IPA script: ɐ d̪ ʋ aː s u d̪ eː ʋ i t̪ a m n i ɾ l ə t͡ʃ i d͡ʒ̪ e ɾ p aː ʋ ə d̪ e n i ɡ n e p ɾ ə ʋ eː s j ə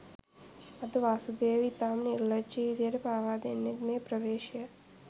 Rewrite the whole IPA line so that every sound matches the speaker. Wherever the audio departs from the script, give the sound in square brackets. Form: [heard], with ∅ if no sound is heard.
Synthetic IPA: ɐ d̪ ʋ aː s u d̪ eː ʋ i t̪ a m n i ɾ l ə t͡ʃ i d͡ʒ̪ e ɾ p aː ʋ [a] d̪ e n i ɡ n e p ɾ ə ʋ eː [ʃ] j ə